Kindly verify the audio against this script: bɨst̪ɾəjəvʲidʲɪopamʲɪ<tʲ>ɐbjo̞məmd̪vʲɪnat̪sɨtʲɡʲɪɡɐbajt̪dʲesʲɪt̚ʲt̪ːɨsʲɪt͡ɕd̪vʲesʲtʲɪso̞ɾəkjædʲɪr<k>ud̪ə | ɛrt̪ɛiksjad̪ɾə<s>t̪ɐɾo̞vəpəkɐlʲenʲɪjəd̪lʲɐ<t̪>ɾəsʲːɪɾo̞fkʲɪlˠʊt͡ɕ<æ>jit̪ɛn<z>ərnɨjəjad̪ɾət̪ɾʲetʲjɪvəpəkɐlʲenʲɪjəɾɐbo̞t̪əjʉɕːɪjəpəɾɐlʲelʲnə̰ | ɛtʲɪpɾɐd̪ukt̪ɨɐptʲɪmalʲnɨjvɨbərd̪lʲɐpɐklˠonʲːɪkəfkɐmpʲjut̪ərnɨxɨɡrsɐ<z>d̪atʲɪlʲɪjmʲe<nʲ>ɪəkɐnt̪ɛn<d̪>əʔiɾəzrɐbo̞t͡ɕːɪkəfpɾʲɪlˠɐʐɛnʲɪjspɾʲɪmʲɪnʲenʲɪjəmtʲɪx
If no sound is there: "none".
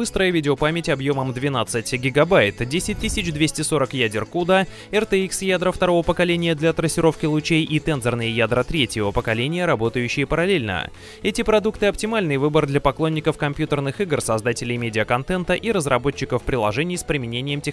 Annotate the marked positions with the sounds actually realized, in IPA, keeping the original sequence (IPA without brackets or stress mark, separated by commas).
tʲ, k, f, t̪, e, z, z, dʲ, t̪